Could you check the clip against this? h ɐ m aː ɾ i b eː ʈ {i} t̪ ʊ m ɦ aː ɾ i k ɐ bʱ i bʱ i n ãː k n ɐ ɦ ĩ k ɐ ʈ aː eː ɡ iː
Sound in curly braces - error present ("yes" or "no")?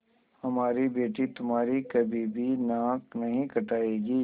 no